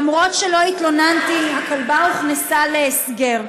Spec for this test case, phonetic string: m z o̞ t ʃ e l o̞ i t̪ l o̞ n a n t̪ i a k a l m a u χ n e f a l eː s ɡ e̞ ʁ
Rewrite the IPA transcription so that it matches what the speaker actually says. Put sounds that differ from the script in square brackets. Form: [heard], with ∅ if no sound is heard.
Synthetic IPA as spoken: m [ʁ] o̞ t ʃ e l o̞ i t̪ l o̞ n a n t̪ i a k a l [b] a u χ n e [s] a l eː s ɡ e̞ ʁ